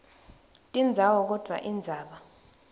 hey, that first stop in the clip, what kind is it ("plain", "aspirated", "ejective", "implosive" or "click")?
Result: ejective